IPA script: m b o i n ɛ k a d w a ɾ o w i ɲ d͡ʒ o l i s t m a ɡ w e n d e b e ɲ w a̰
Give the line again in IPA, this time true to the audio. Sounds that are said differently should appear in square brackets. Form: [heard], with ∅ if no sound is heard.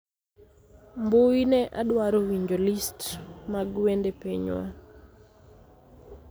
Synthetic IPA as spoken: m b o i n ɛ [ʔ] a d w a ɾ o w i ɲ d͡ʒ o l i s t m a ɡ w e n d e [p] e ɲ w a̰